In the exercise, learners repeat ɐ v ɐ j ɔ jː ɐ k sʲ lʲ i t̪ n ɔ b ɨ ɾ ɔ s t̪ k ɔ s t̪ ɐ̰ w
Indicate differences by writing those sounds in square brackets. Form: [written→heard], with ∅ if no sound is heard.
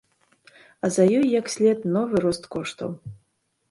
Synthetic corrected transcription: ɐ [v→z] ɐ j ɔ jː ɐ k sʲ lʲ [i→ɛ] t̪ n ɔ [b→v] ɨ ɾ ɔ s t̪ k ɔ [s→ʂ] t̪ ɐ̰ w